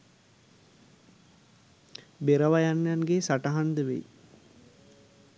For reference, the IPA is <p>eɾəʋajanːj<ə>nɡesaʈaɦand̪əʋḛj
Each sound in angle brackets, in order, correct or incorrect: incorrect: b, incorrect: a

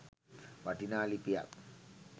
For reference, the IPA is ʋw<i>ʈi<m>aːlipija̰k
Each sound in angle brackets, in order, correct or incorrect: incorrect: a, incorrect: n

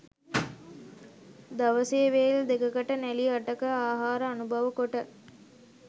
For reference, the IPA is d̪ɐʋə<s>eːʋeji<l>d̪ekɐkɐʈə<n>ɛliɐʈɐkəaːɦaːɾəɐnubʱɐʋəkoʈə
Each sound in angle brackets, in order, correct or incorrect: correct, correct, correct

